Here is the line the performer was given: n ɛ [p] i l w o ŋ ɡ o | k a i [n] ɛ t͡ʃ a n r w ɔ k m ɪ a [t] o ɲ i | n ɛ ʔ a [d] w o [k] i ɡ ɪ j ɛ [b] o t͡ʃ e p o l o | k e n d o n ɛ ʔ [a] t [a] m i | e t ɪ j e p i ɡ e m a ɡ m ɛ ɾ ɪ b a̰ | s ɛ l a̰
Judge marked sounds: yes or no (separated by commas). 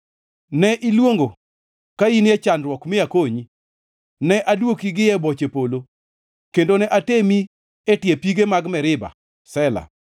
no, yes, no, yes, yes, yes, yes, no